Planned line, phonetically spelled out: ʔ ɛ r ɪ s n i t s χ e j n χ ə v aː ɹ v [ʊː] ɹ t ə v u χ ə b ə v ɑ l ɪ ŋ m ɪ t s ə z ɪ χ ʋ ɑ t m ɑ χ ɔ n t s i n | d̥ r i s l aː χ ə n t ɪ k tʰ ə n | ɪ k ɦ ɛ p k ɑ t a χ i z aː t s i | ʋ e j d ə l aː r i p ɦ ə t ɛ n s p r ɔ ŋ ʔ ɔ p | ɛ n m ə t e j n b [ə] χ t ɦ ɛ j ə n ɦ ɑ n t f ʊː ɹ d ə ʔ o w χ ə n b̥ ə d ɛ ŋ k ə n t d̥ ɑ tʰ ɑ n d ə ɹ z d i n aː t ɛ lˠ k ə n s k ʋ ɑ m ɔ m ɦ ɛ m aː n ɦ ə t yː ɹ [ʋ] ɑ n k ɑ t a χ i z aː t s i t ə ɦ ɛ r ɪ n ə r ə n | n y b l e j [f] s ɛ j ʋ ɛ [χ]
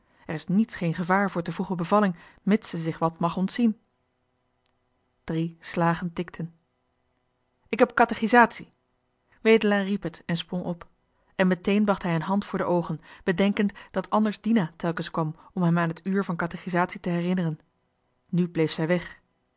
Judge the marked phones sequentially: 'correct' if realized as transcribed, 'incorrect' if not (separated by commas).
correct, incorrect, incorrect, correct, correct